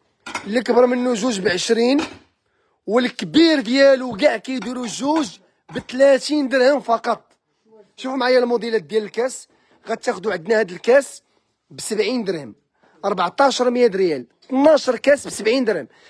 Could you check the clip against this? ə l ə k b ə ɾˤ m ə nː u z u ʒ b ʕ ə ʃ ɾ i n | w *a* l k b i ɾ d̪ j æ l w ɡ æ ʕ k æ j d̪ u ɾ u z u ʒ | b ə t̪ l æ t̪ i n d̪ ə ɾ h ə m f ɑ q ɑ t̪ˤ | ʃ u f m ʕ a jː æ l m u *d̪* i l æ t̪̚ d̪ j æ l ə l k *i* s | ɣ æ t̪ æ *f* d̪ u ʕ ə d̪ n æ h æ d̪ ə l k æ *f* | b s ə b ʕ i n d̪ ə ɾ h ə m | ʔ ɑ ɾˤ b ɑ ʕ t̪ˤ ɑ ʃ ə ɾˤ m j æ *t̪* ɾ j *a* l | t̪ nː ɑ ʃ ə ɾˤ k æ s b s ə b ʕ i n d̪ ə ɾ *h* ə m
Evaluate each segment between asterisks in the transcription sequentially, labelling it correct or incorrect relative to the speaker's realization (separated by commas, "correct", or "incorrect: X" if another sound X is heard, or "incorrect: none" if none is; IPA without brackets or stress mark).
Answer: incorrect: ə, correct, incorrect: æ, incorrect: x, incorrect: s, incorrect: d̪, incorrect: æ, correct